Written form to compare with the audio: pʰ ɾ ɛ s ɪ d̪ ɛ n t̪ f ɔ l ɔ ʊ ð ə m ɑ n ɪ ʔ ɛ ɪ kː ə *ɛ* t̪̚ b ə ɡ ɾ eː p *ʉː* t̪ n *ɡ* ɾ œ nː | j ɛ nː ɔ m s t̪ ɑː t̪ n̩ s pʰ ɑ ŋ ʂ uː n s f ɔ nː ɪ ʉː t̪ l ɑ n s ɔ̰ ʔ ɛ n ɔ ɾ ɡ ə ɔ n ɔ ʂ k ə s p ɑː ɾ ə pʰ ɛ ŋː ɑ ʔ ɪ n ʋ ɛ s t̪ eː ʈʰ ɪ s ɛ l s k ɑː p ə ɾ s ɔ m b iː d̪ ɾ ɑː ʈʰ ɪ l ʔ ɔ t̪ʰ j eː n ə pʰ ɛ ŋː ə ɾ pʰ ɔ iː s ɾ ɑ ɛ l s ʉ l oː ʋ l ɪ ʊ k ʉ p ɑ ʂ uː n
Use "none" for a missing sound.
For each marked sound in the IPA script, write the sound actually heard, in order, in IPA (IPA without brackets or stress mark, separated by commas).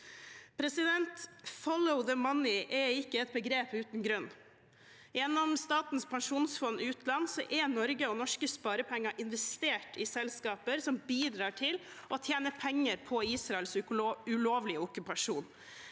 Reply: ɛ, ʉː, ɡ